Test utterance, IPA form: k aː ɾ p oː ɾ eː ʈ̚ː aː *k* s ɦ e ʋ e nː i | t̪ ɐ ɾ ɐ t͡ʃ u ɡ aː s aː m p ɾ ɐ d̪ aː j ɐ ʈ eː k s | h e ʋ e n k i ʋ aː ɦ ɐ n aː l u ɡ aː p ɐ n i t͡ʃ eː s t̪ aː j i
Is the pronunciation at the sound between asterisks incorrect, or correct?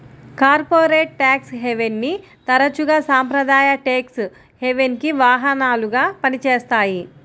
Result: correct